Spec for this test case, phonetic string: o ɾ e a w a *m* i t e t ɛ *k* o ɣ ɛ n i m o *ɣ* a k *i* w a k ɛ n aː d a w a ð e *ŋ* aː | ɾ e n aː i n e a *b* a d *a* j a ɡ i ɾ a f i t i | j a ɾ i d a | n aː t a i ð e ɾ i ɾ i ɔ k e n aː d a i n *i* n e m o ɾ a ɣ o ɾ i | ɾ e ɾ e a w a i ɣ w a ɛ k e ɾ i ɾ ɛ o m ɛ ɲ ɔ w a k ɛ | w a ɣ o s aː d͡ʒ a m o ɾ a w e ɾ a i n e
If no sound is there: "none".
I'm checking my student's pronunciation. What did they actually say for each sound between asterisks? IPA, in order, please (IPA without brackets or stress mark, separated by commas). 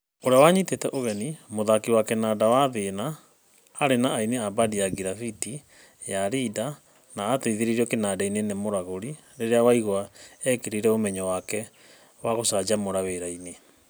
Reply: ɲ, ʔ, ð, i, n, b, i, e